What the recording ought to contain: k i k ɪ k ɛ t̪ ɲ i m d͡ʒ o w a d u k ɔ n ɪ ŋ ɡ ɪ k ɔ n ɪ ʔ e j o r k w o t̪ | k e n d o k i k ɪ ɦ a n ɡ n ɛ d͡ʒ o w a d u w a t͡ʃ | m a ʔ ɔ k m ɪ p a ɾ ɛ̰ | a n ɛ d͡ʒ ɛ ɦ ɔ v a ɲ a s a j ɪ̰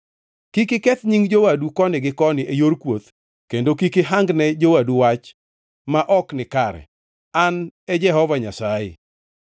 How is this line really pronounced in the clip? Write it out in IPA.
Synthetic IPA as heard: k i k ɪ k ɛ t̪ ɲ i ŋ d͡ʒ o w a d u k ɔ n ɪ ɡ ɪ k ɔ n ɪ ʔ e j o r k w o t̪ | k e n d o k i k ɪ ɦ a ŋ ɡ n ɛ d͡ʒ o w a d u w a t͡ʃ | m a ʔ ɔ k n ɪ k a ɾ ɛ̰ | a n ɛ d͡ʒ ɛ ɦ ɔ v a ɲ a s a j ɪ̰